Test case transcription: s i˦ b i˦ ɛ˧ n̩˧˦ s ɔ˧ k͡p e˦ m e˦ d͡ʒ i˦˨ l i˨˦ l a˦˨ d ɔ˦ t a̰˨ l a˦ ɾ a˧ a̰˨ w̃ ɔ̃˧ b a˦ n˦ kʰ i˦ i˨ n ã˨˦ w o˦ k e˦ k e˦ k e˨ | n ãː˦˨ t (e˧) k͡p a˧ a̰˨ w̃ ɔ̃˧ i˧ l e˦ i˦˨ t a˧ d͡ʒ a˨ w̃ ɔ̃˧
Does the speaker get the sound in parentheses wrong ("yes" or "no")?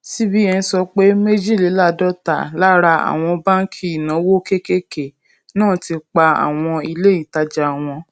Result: yes